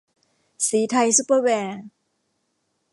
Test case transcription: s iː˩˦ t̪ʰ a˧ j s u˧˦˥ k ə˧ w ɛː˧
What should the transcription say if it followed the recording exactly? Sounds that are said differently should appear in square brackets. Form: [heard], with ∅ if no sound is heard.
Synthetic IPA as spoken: s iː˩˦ t̪ʰ a˧ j s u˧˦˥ [p] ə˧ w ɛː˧